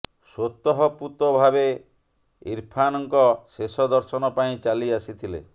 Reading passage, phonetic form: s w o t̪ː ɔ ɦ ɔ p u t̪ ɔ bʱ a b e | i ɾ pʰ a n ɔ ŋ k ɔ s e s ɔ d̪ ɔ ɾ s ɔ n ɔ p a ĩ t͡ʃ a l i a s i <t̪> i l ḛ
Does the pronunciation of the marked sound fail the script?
yes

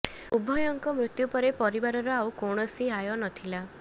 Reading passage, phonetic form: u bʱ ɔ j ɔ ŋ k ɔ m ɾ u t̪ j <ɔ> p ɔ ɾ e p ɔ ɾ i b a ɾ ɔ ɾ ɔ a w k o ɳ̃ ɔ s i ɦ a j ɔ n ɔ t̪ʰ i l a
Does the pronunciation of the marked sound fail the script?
yes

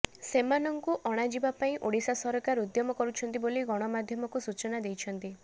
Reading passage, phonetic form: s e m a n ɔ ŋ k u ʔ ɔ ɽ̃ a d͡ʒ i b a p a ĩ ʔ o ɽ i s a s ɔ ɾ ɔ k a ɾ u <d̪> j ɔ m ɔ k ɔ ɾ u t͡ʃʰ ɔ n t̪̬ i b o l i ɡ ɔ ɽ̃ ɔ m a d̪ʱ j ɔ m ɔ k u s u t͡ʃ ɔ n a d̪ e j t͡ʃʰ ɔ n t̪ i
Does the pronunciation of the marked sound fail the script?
no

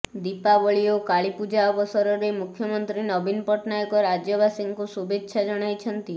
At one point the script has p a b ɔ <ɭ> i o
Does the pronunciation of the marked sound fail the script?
no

